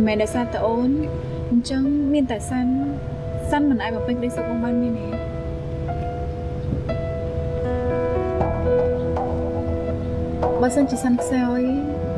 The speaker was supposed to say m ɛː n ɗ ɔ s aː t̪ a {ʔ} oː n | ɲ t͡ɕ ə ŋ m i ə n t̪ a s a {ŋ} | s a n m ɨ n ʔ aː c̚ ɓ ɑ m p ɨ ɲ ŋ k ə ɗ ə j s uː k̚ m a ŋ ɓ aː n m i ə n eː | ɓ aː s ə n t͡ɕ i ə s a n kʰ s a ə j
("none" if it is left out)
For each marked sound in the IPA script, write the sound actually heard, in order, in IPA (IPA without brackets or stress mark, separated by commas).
ʔ, n